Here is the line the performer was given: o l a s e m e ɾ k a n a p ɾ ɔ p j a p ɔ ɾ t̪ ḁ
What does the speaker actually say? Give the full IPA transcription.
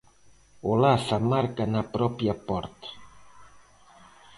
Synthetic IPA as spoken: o l a s a m a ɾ k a n a p ɾ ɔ p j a p ɔ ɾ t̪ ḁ